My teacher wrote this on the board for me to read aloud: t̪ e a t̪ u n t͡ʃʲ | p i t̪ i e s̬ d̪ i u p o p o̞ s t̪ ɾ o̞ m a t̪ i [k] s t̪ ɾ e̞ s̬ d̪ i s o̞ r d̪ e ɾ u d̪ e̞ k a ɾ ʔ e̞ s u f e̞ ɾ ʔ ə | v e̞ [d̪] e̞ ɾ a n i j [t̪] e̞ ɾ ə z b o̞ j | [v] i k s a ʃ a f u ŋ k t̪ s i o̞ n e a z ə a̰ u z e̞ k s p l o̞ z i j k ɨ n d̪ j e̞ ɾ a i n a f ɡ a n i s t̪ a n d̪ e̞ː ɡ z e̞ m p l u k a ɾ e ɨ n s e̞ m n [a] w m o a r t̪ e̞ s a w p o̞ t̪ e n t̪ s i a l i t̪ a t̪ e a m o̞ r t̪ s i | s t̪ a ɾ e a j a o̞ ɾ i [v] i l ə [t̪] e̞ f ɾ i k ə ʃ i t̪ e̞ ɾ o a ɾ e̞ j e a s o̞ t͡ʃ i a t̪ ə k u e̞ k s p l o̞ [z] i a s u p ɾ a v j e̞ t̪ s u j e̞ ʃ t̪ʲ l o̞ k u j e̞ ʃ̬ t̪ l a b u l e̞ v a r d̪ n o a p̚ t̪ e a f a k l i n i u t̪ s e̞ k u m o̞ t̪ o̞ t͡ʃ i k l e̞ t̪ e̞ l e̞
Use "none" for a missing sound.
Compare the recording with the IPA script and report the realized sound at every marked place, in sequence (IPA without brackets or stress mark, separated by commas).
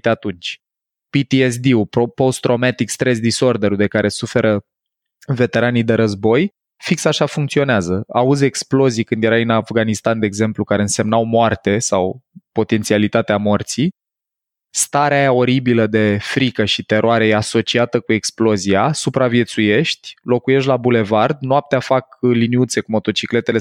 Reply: k, t̪, d̪, f, a, b, d̪, z